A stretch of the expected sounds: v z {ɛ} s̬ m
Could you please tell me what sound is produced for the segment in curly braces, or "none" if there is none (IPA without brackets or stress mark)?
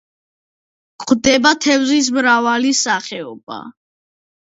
i